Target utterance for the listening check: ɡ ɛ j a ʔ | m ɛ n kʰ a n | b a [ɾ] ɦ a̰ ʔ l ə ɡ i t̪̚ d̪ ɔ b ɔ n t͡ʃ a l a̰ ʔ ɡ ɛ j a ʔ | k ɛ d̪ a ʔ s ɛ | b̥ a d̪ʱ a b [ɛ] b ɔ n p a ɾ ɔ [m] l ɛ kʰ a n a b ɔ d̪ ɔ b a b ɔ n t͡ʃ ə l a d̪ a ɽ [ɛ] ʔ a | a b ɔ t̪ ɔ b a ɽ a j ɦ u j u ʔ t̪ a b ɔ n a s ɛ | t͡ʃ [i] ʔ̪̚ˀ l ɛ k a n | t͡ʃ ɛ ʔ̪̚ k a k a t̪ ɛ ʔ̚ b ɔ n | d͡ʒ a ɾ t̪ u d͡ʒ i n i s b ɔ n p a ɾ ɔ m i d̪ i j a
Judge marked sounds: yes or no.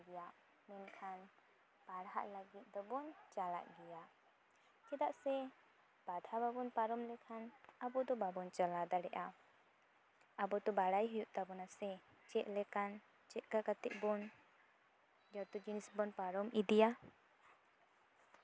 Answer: no, no, yes, yes, no

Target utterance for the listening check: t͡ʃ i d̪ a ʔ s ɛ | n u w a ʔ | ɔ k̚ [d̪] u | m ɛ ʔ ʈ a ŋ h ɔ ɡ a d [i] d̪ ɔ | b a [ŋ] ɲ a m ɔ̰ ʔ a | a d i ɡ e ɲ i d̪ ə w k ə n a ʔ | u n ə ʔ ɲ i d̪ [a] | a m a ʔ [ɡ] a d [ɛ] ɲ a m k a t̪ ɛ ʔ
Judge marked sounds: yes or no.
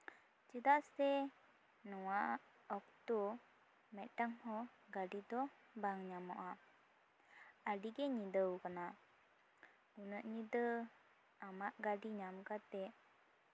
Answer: no, yes, yes, no, yes, no

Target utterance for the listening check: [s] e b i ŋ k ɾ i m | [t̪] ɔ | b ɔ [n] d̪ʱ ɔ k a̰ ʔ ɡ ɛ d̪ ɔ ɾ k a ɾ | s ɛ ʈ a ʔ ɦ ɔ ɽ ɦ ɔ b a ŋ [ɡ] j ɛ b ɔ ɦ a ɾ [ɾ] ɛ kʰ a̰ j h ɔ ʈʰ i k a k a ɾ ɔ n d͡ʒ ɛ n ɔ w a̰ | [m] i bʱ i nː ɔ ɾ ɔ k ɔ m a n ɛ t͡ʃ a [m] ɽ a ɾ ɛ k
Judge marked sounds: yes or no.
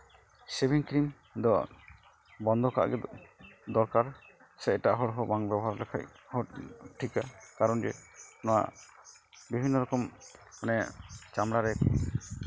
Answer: yes, no, yes, no, no, no, yes

